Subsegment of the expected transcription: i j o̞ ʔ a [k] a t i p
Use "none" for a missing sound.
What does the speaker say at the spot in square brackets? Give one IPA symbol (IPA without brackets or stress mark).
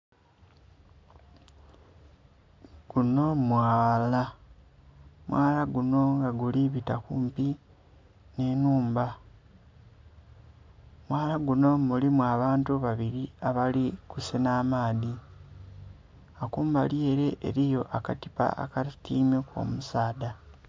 k